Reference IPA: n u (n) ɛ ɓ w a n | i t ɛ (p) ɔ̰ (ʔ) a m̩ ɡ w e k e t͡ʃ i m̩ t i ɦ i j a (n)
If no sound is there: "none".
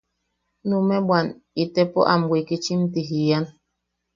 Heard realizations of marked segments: m, p, ʔ, n

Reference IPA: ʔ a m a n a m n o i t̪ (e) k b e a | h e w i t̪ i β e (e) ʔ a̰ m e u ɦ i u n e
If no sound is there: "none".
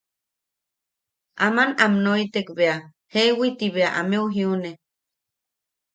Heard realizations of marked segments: e, a

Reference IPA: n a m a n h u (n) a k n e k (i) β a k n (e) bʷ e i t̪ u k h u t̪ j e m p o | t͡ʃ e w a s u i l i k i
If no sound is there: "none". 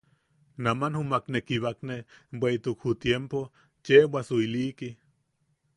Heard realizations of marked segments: m, i, e

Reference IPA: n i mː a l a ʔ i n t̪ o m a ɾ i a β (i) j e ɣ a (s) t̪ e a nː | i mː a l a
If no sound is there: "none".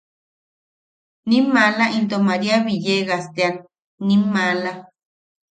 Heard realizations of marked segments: i, s

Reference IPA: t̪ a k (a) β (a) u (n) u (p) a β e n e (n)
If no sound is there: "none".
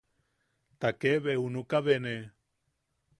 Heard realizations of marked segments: e, e, n, k, none

